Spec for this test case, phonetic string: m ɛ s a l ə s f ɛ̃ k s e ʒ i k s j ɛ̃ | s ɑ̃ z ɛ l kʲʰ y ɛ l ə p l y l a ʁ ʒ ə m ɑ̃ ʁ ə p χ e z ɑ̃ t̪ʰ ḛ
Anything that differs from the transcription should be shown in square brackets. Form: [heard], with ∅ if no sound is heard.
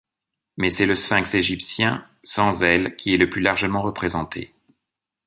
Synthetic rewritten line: m ɛ s [ɛ] l ə s f ɛ̃ k s e ʒ i [p] s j ɛ̃ | s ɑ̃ z ɛ l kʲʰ [i] ɛ l ə p l y l a ʁ ʒ ə m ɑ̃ ʁ ə p χ e z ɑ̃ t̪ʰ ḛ